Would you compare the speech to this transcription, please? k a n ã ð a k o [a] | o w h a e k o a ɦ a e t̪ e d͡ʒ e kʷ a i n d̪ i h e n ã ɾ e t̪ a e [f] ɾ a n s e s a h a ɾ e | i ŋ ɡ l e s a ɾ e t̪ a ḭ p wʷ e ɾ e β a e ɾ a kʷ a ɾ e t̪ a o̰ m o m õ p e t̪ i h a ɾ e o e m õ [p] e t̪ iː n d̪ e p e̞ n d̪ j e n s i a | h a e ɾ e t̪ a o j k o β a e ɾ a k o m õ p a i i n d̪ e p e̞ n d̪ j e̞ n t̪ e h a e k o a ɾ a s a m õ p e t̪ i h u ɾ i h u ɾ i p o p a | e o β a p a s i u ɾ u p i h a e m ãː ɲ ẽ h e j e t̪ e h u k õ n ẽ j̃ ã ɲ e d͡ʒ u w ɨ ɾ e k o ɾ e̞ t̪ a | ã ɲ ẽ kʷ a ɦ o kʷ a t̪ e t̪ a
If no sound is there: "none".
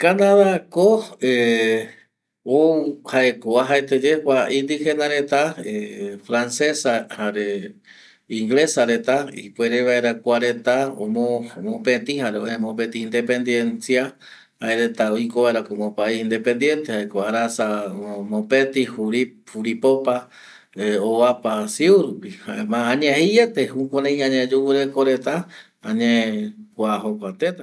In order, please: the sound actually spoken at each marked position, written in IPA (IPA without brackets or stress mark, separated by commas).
e, f, p